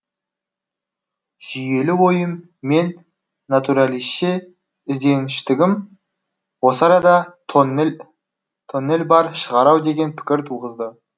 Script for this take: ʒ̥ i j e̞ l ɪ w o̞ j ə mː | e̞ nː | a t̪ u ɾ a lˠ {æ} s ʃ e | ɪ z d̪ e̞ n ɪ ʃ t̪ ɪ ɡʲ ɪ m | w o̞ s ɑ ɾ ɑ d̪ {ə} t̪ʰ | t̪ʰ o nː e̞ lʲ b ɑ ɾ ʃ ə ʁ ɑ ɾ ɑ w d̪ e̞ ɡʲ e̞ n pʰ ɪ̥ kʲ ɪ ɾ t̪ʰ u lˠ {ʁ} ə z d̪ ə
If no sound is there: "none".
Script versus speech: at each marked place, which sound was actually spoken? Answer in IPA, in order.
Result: i, ɑ, ʁ

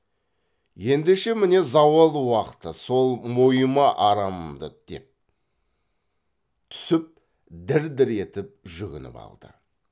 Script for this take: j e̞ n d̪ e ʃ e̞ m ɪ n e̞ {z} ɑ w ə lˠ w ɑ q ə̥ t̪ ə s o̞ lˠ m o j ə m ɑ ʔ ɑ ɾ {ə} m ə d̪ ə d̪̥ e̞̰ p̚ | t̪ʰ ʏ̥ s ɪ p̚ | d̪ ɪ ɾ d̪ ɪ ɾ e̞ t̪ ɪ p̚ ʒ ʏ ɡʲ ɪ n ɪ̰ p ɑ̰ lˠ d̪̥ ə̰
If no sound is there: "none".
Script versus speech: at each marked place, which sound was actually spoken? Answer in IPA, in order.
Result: z, ɑ

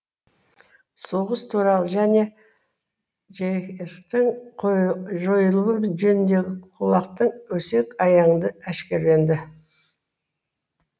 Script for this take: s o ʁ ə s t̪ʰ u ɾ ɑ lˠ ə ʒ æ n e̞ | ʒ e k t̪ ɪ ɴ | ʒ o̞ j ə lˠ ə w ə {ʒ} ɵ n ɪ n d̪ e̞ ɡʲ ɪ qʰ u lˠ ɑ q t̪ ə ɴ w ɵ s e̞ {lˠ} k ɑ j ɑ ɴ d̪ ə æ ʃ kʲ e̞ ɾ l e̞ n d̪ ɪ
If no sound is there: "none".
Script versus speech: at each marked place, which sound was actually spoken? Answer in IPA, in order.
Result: ʒ, none

